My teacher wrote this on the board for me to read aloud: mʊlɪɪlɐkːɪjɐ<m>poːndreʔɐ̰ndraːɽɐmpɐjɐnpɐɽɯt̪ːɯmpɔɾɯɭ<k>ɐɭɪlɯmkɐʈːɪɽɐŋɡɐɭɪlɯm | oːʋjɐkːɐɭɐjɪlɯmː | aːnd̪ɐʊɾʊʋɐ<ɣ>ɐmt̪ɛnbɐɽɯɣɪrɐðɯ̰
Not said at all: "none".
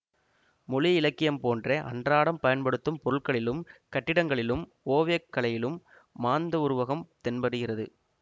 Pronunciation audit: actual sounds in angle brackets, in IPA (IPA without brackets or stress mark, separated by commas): m, k, ɣ